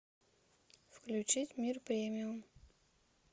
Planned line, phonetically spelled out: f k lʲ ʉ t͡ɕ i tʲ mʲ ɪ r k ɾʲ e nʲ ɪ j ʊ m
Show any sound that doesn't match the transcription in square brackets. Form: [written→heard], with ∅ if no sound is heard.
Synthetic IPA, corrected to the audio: f k lʲ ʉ t͡ɕ i tʲ mʲ [ɪ→i] r [k→p] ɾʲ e [nʲ→mʲ] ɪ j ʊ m